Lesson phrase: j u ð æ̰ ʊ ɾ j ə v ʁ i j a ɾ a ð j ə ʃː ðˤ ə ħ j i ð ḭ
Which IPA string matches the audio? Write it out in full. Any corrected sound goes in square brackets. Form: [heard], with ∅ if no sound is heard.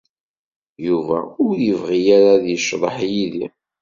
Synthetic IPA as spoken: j u [v] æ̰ ʊ ɾ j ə v ʁ i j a ɾ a ð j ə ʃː ðˤ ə ħ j i ð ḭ